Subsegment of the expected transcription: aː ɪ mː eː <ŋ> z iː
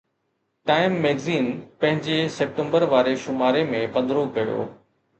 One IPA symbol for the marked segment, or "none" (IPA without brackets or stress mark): ɡ